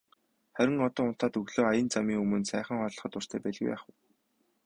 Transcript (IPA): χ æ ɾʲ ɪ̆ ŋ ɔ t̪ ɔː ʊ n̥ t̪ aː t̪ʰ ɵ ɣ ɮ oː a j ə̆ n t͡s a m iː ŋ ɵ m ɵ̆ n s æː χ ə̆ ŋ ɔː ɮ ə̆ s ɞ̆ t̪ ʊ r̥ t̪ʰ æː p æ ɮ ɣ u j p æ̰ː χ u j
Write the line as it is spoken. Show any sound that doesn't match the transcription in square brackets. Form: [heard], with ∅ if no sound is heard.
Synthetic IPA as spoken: χ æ ɾʲ ɪ̆ ŋ ɔ t̪ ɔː ʊ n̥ t̪ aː [t̪] ɵ ɣ ɮ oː a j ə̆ n t͡s a m iː ŋ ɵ m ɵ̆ n s æː χ ə̆ ŋ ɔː ɮ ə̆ [χ] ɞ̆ t̪ ʊ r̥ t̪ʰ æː p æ ɮ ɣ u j p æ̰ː χ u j